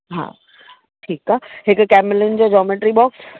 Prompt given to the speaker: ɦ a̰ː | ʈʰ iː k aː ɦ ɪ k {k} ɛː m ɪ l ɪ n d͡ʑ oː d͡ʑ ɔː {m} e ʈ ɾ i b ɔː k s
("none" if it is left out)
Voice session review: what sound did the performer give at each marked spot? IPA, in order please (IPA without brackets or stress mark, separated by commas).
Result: k, m